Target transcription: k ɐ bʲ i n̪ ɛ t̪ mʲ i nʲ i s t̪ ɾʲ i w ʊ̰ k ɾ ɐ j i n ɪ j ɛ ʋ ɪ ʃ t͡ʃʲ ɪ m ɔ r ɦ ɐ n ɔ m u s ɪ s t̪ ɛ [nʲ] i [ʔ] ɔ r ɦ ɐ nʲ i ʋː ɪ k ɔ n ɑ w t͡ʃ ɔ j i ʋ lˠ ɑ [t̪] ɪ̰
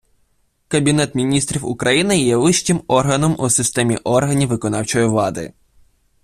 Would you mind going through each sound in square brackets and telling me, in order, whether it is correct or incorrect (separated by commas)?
incorrect, correct, incorrect